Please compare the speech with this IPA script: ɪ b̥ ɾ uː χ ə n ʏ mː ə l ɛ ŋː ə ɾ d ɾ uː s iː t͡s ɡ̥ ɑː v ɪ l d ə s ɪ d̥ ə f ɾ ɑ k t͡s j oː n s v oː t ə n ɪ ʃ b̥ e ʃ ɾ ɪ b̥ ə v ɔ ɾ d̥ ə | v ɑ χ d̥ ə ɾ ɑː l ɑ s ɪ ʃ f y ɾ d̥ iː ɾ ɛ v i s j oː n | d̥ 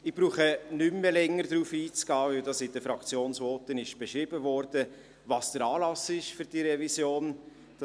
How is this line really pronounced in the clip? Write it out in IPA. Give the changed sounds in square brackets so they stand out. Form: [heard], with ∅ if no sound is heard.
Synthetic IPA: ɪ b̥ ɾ uː χ ə n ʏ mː ə l ɛ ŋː ə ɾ d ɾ uː [f] iː t͡s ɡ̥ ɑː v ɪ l d [ɑ] s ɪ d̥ ə f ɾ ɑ k t͡s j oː n s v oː t ə n ɪ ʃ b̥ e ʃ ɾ ɪ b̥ ə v ɔ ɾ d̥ ə | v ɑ [s] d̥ ə ɾ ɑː l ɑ s ɪ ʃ f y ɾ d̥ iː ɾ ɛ v i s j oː n | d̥